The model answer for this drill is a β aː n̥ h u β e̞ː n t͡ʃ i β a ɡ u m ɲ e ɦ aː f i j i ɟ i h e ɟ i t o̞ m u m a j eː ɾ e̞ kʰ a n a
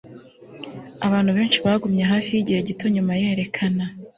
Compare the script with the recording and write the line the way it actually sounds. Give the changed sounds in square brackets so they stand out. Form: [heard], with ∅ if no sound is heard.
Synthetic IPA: a β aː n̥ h u β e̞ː n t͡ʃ i β a ɡ u m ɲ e ɦ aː f i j i ɟ i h e ɟ i t o̞ [ɲ] u m a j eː ɾ e̞ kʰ a n a

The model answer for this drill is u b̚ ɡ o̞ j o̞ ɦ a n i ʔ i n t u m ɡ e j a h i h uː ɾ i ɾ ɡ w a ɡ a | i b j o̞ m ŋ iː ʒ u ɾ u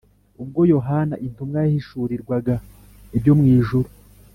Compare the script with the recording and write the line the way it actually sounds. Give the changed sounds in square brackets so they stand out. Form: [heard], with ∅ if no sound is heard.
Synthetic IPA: u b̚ ɡ o̞ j o̞ ɦ a n [a] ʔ i n t u m ɡ [a] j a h i [ʃ] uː ɾ i ɾ ɡ w a ɡ a | i b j o̞ m ŋ iː ʒ u ɾ u

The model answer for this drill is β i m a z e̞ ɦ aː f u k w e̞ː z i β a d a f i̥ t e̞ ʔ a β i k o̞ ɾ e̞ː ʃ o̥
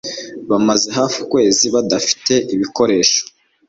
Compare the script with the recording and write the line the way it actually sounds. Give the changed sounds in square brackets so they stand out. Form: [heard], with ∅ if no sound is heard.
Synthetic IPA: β [a] m a z e̞ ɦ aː f u k w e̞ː z i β a d a f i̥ t e̞ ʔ [i] β i k o̞ ɾ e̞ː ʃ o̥

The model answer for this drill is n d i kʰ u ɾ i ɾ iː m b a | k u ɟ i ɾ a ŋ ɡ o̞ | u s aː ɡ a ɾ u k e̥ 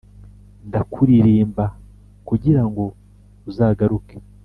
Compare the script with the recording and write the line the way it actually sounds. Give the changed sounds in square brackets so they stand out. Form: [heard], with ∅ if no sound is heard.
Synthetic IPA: n d [a] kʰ u ɾ i ɾ iː m b a | k u ɟ i ɾ a ŋ ɡ o̞ | u [z] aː ɡ a ɾ u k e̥

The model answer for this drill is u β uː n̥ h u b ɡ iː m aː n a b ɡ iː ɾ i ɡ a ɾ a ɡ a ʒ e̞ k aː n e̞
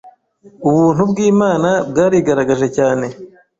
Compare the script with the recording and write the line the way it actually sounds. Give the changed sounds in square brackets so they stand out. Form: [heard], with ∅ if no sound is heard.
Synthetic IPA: u β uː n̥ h u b ɡ iː m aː n a b ɡ [aː] ɾ i ɡ a ɾ a ɡ a ʒ e̞ [c] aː n e̞

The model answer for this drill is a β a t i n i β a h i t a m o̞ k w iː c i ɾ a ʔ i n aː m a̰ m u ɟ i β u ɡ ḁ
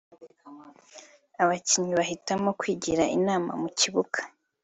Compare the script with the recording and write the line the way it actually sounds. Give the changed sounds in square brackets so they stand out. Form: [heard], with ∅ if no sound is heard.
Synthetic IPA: a β a [c] i [ɲ] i β a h i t a m o̞ k w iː [ɟ] i ɾ a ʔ i n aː m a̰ m u [c] i β u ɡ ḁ

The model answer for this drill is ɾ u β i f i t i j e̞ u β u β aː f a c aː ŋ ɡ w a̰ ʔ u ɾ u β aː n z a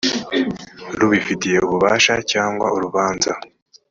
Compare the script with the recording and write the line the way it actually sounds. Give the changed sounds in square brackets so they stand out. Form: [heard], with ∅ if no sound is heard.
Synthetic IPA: ɾ u β i f i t i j e̞ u β u β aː [ʃ] a c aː ŋ ɡ w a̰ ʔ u ɾ u β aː n z a

